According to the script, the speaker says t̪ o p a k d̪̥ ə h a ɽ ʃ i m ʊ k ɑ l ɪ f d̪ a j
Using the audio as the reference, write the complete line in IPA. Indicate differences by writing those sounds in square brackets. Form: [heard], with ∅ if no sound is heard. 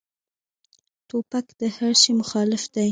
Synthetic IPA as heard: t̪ o p a k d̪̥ ə h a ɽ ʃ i m ʊ [x] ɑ l ɪ f d̪ a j